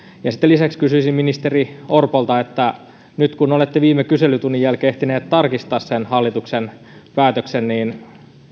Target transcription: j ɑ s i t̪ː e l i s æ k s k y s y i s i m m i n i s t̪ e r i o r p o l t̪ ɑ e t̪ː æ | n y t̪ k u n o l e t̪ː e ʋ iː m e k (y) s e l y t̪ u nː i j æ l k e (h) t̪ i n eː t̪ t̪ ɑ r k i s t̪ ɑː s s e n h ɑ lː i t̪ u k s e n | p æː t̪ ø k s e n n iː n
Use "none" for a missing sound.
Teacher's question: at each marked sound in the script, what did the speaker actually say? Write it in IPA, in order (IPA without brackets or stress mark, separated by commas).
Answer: y, h